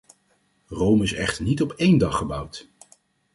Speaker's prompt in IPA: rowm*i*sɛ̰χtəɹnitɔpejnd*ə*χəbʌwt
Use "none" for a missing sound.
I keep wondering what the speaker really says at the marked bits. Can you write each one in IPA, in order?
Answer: ɪ, ɑ

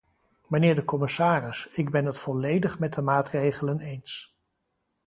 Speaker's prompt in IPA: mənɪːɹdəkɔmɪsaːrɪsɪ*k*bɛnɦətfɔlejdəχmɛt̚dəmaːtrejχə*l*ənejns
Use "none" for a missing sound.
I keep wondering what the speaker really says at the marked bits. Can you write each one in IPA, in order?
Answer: ɡ, l

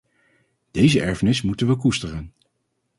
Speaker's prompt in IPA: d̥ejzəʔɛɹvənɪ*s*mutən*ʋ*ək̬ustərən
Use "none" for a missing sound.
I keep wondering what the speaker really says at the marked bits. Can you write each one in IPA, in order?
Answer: s, ʋ

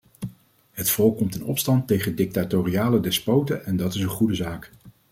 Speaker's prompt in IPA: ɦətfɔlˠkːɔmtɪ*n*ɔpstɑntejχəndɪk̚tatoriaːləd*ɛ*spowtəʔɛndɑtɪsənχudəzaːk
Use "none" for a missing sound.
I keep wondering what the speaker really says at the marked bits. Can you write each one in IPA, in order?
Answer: n, ɛ

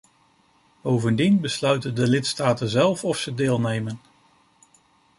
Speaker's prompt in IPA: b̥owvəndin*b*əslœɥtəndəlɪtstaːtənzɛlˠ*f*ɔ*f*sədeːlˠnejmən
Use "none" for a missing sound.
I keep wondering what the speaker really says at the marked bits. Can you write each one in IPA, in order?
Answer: b, f, f

